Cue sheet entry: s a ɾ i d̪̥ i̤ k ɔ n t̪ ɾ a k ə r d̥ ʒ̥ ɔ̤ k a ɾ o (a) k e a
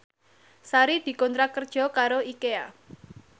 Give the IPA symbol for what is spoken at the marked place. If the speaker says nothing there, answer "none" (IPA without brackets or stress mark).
i